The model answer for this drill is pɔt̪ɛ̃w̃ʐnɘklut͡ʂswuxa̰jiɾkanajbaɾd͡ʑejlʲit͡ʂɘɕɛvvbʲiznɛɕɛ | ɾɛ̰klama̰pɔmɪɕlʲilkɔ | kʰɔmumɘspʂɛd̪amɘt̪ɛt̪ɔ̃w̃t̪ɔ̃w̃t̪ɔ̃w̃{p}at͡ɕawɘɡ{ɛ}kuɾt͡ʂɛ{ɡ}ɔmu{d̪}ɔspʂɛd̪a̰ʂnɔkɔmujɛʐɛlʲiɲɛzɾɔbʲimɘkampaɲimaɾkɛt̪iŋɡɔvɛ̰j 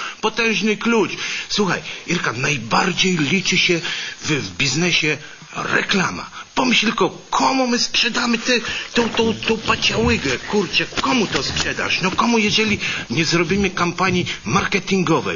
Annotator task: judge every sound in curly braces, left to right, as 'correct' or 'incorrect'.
correct, correct, incorrect: k, incorrect: t̪

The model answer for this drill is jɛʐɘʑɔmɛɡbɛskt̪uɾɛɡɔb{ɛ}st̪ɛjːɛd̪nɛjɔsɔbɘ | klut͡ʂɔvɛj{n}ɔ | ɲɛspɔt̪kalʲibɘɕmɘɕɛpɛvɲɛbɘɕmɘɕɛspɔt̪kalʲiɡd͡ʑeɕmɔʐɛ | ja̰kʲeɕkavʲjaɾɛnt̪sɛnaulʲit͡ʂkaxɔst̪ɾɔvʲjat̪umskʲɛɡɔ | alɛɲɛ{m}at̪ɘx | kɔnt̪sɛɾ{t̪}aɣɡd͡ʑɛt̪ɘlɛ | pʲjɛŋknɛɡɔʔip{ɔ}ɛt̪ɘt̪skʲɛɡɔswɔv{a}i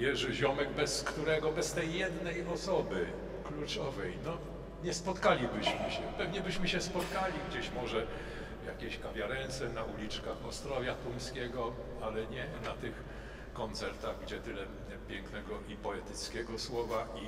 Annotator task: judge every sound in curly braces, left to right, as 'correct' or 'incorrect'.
correct, correct, incorrect: n, correct, correct, correct

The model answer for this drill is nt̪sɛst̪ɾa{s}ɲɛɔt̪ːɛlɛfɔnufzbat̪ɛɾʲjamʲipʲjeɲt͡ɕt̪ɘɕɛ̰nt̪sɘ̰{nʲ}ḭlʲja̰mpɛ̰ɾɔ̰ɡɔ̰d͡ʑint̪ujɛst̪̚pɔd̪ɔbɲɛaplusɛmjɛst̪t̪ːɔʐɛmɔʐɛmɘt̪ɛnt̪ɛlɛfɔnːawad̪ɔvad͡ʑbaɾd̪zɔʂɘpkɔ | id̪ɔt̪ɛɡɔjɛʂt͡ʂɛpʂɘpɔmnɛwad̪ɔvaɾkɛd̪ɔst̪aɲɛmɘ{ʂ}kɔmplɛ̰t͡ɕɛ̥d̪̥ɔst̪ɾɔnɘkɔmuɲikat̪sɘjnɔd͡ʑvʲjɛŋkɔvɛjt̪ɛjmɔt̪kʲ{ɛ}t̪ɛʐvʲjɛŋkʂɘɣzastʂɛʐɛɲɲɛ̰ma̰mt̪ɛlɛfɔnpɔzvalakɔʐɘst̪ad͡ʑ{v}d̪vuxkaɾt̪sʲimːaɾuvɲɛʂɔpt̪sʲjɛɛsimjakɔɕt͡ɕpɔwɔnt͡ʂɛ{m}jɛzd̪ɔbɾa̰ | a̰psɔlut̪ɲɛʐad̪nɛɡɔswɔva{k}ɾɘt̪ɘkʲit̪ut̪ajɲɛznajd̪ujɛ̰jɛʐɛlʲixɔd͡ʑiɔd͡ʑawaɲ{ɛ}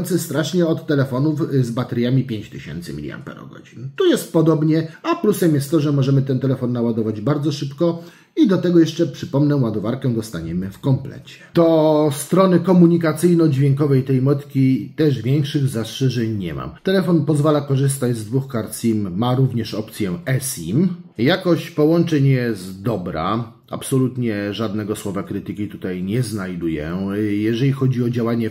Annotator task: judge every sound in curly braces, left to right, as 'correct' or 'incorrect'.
incorrect: ʂ, incorrect: mʲ, incorrect: f, incorrect: i, incorrect: z, incorrect: ɲ, correct, correct

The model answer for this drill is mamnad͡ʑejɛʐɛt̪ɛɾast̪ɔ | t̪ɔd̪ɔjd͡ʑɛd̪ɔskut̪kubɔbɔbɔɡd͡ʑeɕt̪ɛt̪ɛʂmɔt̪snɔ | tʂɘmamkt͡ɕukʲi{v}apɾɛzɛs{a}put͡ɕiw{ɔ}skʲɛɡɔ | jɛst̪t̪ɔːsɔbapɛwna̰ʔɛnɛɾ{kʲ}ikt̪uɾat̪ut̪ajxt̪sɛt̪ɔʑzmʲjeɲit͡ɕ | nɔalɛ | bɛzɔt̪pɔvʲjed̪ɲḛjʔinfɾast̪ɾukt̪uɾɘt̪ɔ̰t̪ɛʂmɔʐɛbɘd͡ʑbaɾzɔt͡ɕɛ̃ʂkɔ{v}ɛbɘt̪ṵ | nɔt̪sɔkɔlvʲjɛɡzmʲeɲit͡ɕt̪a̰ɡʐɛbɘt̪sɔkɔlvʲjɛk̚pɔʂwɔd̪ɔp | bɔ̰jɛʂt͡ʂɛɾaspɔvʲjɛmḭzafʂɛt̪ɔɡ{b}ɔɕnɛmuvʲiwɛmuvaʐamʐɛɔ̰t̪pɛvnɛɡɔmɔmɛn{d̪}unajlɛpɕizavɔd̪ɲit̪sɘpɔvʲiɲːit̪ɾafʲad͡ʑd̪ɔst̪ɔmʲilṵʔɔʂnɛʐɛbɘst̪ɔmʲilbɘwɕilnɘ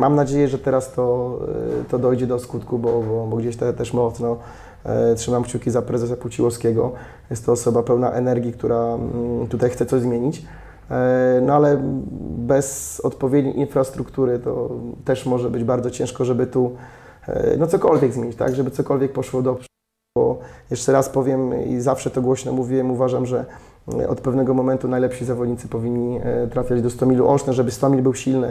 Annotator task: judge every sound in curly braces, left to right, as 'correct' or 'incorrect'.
incorrect: z, correct, correct, incorrect: ɡʲ, incorrect: ʐ, incorrect: w, incorrect: t̪

